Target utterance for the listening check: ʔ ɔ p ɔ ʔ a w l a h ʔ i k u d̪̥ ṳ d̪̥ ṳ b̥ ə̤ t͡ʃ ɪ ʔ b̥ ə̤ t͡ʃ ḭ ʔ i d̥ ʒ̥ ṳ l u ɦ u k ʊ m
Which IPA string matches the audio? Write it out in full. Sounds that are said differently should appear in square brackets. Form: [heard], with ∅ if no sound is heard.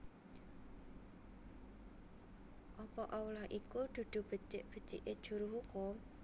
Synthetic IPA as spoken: ʔ ɔ p ɔ ʔ a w l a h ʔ i k u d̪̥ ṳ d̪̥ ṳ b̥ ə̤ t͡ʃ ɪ ʔ b̥ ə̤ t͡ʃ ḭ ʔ [e] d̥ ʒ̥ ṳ [ɾ] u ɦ u k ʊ m